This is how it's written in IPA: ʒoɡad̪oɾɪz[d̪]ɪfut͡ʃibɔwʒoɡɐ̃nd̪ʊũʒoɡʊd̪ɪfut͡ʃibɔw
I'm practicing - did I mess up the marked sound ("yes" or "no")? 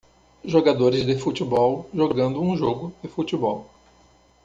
no